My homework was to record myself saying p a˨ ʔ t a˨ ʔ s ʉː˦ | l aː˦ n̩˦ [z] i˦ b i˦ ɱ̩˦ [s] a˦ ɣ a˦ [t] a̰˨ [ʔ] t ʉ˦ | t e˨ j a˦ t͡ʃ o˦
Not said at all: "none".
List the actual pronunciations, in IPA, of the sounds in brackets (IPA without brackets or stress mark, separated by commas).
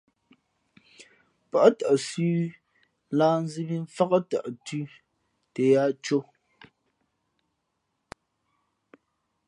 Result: z, f, t, ʔ